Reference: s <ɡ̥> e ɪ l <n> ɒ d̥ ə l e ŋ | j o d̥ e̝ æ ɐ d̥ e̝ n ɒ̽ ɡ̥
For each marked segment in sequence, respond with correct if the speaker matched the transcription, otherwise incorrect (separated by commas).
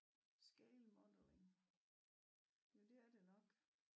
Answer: correct, incorrect